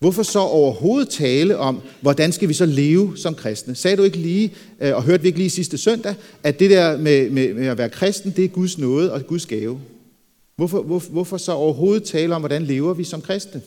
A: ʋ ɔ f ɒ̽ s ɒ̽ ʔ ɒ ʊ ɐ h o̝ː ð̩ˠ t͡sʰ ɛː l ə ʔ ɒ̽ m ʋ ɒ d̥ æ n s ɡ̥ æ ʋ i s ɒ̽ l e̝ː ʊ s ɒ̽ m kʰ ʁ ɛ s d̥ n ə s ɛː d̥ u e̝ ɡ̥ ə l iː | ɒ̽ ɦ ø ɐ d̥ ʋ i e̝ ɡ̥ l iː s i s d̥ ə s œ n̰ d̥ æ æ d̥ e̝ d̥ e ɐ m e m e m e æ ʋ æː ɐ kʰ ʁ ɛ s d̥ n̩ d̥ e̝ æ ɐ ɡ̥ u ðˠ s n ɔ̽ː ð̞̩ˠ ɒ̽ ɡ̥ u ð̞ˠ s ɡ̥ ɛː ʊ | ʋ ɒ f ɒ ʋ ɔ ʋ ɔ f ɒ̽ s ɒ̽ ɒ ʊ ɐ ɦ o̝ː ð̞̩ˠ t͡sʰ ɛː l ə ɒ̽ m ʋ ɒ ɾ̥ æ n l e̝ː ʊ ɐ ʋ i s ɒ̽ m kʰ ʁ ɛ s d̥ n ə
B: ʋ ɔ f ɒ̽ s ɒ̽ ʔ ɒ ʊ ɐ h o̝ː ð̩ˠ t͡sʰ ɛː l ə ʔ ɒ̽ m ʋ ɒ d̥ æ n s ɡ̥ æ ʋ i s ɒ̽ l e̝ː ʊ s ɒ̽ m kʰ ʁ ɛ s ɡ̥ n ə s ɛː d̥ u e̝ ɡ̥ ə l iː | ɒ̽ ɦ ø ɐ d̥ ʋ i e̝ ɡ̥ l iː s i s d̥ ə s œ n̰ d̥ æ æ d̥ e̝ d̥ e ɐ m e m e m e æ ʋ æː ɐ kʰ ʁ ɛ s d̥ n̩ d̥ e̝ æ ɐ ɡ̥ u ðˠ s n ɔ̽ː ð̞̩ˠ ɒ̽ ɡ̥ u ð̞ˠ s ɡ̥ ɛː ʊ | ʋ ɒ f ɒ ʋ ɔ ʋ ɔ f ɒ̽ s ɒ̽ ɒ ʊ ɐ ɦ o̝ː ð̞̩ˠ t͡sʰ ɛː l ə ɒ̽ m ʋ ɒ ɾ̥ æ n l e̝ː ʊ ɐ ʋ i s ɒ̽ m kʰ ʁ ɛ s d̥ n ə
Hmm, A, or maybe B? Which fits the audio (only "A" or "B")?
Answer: A